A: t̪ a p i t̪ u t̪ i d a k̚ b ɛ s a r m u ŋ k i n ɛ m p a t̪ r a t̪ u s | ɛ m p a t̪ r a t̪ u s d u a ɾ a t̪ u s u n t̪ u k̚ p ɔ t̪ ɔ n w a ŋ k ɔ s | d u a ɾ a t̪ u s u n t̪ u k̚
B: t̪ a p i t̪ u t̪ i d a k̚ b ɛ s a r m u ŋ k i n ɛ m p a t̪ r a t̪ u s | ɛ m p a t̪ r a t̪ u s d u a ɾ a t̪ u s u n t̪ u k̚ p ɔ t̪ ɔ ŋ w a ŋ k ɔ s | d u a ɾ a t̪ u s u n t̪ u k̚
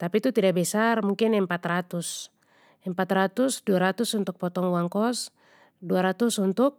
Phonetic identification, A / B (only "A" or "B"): B